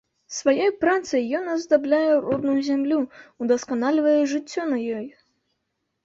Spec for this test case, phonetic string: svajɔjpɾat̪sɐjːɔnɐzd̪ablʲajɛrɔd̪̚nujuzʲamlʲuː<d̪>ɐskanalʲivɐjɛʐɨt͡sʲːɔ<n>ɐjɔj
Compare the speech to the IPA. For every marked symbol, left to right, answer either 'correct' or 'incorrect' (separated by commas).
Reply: correct, correct